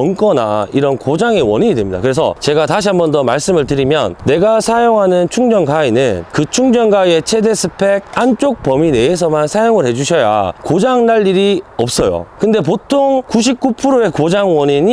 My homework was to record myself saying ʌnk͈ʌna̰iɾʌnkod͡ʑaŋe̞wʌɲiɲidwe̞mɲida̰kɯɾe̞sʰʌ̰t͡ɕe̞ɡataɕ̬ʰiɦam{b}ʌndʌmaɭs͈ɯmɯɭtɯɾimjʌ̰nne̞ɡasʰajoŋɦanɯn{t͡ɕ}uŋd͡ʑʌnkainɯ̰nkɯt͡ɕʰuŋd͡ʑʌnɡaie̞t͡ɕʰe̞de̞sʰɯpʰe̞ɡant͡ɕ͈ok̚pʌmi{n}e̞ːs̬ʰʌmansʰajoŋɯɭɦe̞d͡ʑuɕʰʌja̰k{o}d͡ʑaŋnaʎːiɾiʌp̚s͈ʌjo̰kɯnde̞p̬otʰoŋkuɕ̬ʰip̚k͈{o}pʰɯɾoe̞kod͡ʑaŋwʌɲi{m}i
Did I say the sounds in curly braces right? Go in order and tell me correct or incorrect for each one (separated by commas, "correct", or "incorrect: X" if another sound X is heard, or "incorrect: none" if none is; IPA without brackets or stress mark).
correct, incorrect: t͡ɕʰ, correct, correct, incorrect: u, incorrect: ɲ